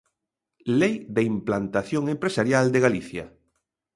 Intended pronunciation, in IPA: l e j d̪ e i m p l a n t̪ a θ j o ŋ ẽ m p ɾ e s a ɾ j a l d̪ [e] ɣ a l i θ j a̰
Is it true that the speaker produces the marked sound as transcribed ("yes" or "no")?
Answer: yes